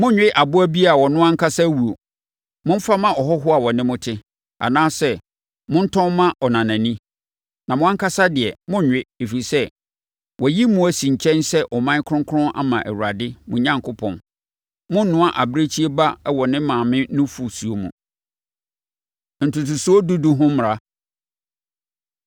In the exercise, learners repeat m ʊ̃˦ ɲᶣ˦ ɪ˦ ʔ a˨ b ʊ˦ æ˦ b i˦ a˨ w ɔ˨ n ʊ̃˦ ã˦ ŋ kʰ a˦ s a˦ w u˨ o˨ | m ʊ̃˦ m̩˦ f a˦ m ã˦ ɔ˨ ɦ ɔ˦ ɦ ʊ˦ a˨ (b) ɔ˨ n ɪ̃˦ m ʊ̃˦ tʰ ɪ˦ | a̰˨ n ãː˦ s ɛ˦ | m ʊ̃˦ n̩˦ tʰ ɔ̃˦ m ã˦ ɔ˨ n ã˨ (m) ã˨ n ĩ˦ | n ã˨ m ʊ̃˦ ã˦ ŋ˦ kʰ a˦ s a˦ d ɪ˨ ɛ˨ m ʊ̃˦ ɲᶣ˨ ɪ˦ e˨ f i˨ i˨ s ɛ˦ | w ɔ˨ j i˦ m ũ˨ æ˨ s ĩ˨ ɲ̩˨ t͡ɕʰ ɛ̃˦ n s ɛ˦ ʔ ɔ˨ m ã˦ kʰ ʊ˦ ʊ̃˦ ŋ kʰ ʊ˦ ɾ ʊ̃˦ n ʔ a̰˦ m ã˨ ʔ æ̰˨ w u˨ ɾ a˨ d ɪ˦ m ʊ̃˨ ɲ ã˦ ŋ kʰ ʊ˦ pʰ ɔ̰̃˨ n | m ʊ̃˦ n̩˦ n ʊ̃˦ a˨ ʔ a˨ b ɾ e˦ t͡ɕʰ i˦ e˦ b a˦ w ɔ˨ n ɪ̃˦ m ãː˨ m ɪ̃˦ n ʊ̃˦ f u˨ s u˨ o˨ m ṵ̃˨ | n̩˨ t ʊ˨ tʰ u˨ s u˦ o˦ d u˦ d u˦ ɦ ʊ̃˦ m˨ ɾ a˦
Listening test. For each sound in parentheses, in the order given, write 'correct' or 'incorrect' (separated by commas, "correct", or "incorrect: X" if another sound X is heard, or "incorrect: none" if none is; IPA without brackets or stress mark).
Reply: incorrect: w, incorrect: n